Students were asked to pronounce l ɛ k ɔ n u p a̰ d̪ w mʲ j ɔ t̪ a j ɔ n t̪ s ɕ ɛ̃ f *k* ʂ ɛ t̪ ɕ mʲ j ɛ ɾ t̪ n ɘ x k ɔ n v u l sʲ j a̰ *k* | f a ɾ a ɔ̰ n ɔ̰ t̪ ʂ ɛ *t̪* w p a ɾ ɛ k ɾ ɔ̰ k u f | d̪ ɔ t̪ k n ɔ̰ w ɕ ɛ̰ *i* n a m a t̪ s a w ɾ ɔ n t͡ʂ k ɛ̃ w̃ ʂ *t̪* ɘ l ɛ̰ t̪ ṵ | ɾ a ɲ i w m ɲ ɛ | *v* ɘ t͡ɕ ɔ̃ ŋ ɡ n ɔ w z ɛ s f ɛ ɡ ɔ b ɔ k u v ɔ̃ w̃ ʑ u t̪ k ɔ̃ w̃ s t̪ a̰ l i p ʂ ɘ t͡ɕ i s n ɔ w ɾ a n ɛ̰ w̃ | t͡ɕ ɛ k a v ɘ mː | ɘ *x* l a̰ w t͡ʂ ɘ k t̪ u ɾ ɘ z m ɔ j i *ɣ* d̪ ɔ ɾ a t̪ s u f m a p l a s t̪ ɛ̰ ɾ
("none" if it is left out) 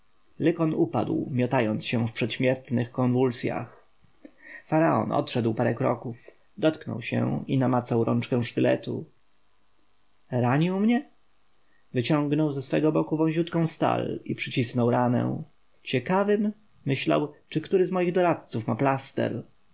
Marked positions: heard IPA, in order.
p, x, d̪, i, t̪, v, ɕ, ɣ

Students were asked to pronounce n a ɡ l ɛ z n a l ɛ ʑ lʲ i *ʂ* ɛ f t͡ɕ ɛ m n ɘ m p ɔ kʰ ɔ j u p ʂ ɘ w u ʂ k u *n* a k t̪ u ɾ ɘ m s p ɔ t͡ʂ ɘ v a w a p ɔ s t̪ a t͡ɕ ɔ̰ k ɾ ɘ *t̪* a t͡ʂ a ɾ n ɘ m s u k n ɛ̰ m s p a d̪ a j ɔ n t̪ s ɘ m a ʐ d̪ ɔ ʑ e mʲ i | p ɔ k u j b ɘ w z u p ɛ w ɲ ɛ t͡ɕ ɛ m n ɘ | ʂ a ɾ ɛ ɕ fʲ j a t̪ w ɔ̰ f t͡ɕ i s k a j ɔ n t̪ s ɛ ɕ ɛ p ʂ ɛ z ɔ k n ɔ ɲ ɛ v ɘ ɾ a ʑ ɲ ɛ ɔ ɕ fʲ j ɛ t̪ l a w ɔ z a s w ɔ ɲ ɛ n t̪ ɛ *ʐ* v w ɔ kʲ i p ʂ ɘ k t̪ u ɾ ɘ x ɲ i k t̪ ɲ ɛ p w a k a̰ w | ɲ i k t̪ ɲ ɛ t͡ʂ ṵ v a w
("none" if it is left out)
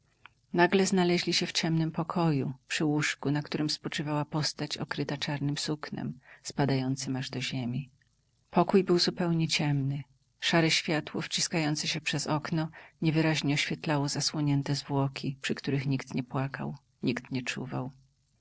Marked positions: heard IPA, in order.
ɕ, n, t̪, z

